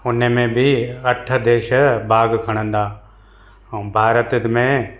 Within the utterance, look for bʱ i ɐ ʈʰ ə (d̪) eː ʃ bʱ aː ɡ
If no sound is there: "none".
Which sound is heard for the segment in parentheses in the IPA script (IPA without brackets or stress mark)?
d̪